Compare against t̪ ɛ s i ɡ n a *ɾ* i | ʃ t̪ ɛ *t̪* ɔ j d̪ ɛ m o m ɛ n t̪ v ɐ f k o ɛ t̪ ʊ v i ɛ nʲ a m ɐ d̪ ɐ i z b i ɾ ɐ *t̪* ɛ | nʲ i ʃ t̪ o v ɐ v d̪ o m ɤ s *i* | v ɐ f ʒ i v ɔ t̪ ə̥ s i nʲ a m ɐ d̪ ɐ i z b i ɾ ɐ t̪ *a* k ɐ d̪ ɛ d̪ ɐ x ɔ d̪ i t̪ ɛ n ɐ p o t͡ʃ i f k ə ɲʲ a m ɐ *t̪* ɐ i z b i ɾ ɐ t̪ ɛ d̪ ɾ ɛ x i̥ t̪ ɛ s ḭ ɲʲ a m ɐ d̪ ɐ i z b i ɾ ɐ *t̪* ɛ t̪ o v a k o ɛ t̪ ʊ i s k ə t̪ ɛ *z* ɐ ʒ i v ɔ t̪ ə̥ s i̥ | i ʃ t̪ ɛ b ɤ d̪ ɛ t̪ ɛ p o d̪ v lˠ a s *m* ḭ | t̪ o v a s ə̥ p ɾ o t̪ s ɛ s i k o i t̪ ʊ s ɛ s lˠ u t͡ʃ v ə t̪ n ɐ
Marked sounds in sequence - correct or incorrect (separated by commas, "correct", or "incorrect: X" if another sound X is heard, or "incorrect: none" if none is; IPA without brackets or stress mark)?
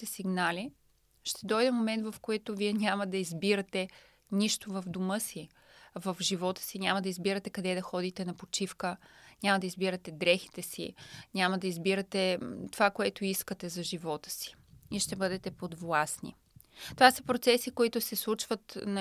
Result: incorrect: l, incorrect: d̪, correct, correct, incorrect: ɛ, incorrect: d̪, correct, correct, incorrect: n